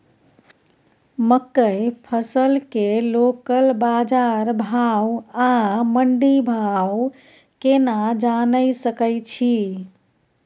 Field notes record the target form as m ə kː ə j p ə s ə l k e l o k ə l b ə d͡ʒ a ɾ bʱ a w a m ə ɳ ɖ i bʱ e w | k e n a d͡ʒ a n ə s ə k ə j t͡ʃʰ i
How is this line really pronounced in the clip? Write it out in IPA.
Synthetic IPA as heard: m ə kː ə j pʰ ə s ə l k e l o k ə l b a d͡ʒ a ɾ bʱ a w a m ə ɳ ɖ i bʱ a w | k e n a d͡ʒ a n ə s ə k ə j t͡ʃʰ i